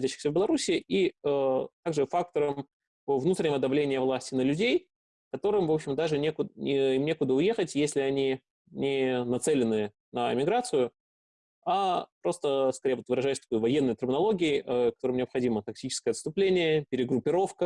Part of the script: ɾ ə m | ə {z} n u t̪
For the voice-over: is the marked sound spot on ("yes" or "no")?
no